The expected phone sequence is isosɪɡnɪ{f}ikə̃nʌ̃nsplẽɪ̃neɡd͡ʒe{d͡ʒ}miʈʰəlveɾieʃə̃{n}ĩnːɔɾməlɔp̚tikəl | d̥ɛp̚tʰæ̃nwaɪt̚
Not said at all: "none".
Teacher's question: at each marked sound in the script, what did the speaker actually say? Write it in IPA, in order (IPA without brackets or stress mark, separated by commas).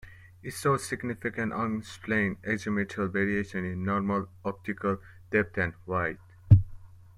f, none, n